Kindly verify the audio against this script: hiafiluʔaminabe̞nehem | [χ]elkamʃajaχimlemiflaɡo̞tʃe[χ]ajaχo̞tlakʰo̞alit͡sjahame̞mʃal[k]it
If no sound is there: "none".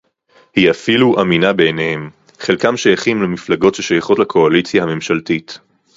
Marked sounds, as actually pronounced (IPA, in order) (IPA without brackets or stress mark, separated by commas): χ, ʃ, t